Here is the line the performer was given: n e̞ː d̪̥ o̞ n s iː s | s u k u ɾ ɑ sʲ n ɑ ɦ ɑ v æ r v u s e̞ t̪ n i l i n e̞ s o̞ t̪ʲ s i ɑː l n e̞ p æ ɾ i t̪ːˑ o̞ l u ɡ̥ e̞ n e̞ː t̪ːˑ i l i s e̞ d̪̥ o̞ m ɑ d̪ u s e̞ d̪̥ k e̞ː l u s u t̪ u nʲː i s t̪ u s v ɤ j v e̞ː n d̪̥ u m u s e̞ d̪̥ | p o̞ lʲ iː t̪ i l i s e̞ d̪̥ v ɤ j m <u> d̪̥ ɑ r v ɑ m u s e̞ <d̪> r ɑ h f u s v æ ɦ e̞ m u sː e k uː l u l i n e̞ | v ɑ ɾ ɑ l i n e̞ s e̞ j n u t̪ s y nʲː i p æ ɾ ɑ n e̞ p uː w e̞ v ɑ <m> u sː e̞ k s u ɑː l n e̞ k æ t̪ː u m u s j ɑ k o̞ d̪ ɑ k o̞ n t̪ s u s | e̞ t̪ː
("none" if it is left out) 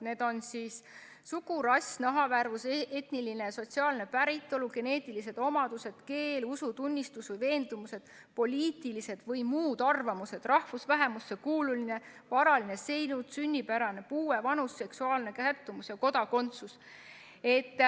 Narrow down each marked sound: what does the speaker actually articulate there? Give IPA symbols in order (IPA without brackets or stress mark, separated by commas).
uː, d̪, n